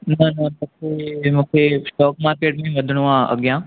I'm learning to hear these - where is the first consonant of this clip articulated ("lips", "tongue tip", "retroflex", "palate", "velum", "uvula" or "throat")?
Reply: tongue tip